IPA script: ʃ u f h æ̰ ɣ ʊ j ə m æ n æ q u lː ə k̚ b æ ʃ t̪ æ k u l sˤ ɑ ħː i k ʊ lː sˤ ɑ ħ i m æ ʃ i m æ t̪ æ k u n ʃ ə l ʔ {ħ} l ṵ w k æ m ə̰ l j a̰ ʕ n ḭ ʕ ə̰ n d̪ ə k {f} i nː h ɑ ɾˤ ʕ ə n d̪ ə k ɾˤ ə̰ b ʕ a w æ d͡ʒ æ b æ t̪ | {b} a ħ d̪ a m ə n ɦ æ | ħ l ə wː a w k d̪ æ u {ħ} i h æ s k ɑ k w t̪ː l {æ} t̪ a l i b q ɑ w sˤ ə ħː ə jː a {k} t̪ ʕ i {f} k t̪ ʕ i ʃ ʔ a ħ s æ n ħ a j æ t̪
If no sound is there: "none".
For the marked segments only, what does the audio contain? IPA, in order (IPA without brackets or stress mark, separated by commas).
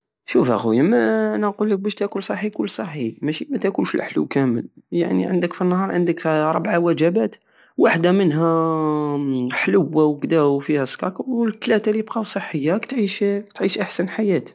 ħ, f, w, f, æ, k, ʃ